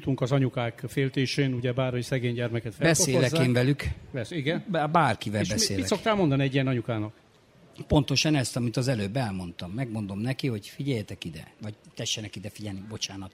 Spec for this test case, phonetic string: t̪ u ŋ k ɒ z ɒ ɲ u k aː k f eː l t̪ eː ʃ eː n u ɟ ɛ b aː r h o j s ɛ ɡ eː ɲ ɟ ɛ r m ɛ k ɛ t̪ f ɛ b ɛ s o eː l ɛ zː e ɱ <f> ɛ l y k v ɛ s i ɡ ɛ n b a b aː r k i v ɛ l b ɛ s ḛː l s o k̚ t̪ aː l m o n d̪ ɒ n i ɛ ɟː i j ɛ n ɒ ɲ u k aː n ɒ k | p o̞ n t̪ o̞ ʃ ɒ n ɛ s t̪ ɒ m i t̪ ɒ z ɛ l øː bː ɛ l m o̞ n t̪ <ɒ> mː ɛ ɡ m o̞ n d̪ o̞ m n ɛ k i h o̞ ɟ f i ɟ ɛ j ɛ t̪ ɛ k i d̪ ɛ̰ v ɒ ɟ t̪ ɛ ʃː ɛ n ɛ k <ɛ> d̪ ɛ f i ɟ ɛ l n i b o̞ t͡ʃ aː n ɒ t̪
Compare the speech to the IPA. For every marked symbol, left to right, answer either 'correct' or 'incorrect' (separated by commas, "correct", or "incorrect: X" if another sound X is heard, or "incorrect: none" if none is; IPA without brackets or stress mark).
incorrect: v, correct, incorrect: i